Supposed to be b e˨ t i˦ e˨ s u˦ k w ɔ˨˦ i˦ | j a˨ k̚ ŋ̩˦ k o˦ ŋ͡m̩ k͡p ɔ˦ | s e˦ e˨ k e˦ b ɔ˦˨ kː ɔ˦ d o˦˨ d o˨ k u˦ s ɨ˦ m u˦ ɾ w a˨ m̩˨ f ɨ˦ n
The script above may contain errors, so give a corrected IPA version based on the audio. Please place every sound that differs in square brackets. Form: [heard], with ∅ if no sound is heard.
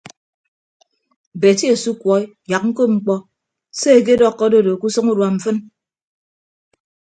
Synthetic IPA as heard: b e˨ t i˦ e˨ s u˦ k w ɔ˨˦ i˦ | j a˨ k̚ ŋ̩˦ k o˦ ŋ͡m̩ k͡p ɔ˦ | s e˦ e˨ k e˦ [d] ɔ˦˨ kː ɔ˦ d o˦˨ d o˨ k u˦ s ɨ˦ [ŋ] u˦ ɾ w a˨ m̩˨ f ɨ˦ n